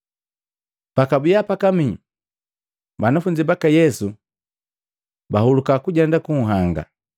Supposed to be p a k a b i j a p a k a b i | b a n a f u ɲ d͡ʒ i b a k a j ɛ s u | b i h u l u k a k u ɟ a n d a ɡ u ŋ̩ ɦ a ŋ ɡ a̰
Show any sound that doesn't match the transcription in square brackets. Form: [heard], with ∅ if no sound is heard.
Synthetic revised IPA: p a k a b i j a p a k a [m] i | b a n a f u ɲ d͡ʒ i b a k a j ɛ s u | b [a] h u l u k a k u ɟ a n d a [k] u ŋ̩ ɦ a ŋ ɡ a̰